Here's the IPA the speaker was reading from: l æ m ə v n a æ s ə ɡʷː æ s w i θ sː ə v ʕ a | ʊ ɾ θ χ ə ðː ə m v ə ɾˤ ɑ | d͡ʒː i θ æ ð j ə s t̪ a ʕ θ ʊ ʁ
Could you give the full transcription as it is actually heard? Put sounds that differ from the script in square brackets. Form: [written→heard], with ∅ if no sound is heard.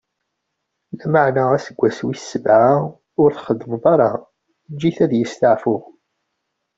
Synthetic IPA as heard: l æ m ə [v→ʕ] n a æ s ə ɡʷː æ s w i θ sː ə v ʕ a | ʊ ɾ θ χ ə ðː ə m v [ə→ɑ] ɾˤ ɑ | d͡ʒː i θ æ ð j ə s t̪ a ʕ [θ→f] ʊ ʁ

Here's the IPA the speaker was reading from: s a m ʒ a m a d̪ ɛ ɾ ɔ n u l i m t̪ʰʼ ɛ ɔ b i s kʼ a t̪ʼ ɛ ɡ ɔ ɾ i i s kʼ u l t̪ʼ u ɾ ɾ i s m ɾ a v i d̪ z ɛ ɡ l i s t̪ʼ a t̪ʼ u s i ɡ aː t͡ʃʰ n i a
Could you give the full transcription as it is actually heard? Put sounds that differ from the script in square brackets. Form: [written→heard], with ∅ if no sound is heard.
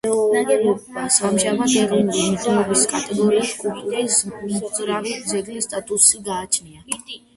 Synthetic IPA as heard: s a m ʒ a m a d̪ ɛ ɾ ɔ n u l i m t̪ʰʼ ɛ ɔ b i s kʼ a t̪ʼ ɛ ɡ ɔ ɾ i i s kʼ u l t̪ʼ u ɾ ɾ i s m ɾ a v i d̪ z ɛ ɡ l i s t̪ʼ a t̪ʼ u s i ɡ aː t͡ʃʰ n i a

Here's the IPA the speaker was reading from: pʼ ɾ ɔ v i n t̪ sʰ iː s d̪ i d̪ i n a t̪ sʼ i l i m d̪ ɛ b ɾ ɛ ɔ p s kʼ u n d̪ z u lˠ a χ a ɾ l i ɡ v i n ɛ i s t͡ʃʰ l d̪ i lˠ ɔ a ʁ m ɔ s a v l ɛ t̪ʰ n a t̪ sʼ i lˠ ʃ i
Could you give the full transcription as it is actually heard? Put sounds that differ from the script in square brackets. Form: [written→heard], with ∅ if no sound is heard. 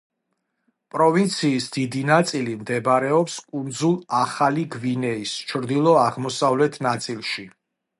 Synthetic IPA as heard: pʼ ɾ ɔ v i n t̪ sʰ iː s d̪ i d̪ i n a t̪ sʼ i l i m d̪ ɛ b ɾ ɛ ɔ p s kʼ u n d̪ z u lˠ a χ a [ɾ→∅] l i ɡ v i n ɛ i s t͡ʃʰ [l→ɾ] d̪ i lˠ ɔ a ʁ m ɔ s a v l ɛ t̪ʰ n a t̪ sʼ i lˠ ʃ i

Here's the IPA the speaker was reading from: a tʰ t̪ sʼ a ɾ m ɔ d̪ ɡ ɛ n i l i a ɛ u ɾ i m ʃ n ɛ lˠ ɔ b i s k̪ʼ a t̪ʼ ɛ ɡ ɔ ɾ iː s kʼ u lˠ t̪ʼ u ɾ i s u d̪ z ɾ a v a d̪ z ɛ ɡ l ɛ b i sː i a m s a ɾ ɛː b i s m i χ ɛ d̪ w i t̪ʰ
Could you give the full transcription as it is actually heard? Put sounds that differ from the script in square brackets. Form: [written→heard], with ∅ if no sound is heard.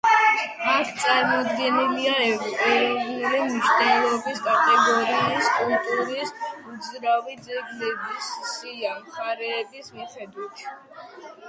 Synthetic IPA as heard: a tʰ t̪ sʼ a ɾ m ɔ d̪ ɡ ɛ n i l i a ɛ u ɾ i m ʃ n ɛ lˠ ɔ b i s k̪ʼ a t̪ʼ ɛ ɡ ɔ ɾ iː s kʼ u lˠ t̪ʼ u ɾ i s u d̪ z ɾ a v [a→i] d̪ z ɛ ɡ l ɛ b i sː i a m [s→χ] a ɾ ɛː b i s m i χ ɛ d̪ w i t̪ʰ

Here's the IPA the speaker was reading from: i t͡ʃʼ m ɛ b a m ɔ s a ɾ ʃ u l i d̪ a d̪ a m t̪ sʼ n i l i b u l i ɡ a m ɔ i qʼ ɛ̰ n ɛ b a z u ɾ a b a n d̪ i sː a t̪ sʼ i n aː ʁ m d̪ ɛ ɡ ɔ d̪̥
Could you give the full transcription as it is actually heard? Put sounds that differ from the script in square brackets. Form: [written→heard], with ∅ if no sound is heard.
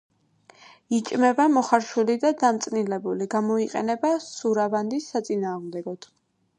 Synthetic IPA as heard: i t͡ʃʼ m ɛ b a m ɔ [s→χ] a ɾ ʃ u l i d̪ a d̪ a m t̪ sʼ n i l [i→ɛ] b u l i ɡ a m ɔ i qʼ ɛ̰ n ɛ b a [z→s] u ɾ a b a n d̪ i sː a t̪ sʼ i n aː ʁ m d̪ ɛ ɡ ɔ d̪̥

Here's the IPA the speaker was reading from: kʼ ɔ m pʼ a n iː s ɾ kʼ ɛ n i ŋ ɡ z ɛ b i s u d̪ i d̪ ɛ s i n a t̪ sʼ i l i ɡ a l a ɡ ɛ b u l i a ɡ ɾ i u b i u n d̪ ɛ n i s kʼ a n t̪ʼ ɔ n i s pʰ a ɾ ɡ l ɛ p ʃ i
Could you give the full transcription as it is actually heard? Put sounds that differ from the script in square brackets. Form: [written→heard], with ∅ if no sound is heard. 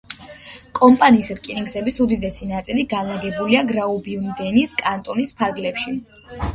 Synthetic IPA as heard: kʼ ɔ m pʼ a n iː s ɾ kʼ [ɛ→i] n i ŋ ɡ z ɛ b i s u d̪ i d̪ ɛ s i n a t̪ sʼ i l i ɡ a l a ɡ ɛ b u l i a ɡ ɾ [i→a] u b i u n d̪ ɛ n i s kʼ a n t̪ʼ ɔ n i s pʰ a ɾ ɡ l ɛ p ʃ i

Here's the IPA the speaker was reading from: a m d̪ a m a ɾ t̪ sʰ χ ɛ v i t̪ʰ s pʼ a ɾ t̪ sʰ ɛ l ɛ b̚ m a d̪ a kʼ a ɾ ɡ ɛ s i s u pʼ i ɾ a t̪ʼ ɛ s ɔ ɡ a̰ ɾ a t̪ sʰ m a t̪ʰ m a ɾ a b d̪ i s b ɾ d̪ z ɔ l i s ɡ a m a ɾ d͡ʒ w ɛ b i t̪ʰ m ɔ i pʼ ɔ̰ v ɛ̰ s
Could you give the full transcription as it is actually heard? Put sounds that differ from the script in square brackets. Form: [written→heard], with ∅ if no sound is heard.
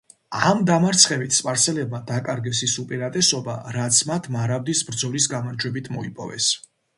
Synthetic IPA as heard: a m d̪ a m a ɾ t̪ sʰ χ ɛ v i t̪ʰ s pʼ a ɾ t̪ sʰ ɛ l ɛ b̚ m a d̪ a kʼ a ɾ ɡ ɛ s i s u pʼ i ɾ a t̪ʼ ɛ s ɔ [ɡ→b] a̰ ɾ a t̪ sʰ m a t̪ʰ m a ɾ a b d̪ i s b ɾ d̪ z ɔ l i s ɡ a m a ɾ d͡ʒ w ɛ b i t̪ʰ m ɔ i pʼ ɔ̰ v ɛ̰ s

